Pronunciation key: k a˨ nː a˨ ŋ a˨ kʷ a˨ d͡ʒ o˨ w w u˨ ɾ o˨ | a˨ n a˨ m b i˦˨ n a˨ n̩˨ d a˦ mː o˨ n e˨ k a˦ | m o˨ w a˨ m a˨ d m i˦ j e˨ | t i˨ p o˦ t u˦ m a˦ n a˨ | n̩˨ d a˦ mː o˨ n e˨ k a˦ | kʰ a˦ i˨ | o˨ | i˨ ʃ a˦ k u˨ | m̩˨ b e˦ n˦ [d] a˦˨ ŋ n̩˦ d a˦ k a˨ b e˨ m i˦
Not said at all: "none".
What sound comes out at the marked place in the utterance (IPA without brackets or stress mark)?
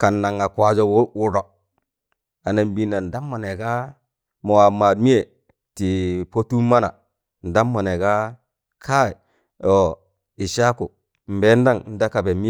d